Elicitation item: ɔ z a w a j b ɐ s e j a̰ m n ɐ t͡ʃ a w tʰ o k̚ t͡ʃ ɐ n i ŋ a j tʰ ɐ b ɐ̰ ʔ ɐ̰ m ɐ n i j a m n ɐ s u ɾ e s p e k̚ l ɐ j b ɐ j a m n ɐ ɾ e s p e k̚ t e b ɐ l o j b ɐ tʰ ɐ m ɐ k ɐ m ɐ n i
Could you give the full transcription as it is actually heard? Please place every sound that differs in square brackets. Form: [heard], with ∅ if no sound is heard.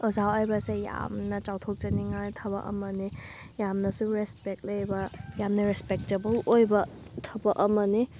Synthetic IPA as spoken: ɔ z a w a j b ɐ s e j a̰ m n ɐ t͡ʃ a w tʰ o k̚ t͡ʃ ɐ n i ŋ a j tʰ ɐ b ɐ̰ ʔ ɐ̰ m ɐ n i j a m n ɐ s u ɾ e s p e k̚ l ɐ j b ɐ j a m n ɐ ɾ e s p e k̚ t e b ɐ l o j b ɐ tʰ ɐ [b] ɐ [ʔ] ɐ m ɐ n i